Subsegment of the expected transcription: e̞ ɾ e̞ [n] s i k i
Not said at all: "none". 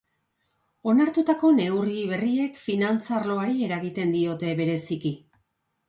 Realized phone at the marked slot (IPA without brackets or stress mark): none